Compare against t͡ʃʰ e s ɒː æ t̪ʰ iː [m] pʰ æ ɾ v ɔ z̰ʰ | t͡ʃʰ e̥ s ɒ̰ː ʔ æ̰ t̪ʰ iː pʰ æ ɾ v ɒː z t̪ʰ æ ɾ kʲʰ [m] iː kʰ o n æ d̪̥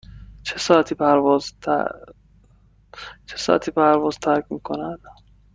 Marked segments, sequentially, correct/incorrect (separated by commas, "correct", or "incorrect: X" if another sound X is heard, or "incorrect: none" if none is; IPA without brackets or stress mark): incorrect: none, correct